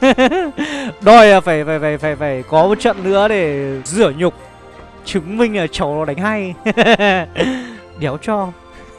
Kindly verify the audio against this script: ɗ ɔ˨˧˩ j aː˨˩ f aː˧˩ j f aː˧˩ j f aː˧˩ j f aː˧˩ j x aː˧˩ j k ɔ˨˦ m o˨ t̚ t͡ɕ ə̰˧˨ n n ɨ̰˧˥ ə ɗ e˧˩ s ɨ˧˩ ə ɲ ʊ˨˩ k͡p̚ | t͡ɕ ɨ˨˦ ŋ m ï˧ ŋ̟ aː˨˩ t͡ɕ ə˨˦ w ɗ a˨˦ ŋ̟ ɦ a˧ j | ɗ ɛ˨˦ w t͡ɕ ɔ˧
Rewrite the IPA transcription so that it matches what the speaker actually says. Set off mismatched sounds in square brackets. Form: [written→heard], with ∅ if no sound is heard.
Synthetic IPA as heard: ɗ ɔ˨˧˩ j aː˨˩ f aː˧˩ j f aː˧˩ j f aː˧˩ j f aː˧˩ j [x→f] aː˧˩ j k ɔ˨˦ m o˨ t̚ t͡ɕ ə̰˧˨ n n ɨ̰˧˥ ə ɗ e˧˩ [s→z] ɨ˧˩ ə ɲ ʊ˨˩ k͡p̚ | t͡ɕ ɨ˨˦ ŋ m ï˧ ŋ̟ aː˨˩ t͡ɕ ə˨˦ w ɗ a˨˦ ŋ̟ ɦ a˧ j | ɗ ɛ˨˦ w t͡ɕ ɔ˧